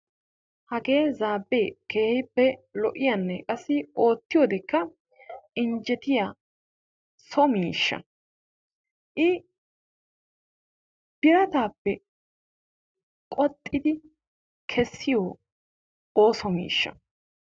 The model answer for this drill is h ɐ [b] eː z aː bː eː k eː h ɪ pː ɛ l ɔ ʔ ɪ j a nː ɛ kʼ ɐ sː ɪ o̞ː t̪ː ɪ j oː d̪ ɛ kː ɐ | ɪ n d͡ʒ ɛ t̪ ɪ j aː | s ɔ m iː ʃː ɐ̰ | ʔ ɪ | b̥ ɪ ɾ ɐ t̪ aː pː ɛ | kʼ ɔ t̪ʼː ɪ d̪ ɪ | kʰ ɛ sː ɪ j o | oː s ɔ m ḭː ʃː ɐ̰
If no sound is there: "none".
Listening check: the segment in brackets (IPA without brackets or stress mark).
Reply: ɡ